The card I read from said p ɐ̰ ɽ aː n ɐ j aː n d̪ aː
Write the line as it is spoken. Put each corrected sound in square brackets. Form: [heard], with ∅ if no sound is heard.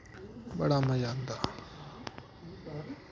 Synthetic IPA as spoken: [b] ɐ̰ ɽ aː [m] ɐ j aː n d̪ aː